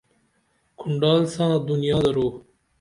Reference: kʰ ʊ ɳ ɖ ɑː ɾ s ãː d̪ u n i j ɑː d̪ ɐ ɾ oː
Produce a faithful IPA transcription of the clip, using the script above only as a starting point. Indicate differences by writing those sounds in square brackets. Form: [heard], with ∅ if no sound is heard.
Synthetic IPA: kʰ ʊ ɳ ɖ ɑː [l] s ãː d̪ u n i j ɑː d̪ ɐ ɾ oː